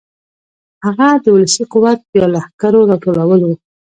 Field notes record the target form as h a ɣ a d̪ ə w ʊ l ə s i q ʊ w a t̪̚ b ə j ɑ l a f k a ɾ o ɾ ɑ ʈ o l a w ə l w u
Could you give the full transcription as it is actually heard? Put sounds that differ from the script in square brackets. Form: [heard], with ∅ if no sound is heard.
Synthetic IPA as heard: h a ɣ a d̪ ə w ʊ l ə s i q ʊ w a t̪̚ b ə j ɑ l a [h] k a ɾ o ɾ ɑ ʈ o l a w ə l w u